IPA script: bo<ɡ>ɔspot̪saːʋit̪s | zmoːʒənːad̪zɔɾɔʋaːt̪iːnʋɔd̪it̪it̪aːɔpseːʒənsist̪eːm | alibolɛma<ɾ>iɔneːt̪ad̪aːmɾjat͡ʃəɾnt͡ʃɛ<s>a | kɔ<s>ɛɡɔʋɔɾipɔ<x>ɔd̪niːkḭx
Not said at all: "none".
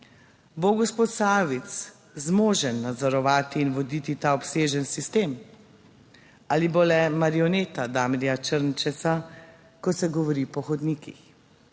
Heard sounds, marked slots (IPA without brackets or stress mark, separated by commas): ɡ, ɾ, s, s, x